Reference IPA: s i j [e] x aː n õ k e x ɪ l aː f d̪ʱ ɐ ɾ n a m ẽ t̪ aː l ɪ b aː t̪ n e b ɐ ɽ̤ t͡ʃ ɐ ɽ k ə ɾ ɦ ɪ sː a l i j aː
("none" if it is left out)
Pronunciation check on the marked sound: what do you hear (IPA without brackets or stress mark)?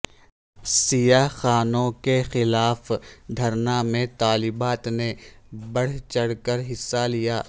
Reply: a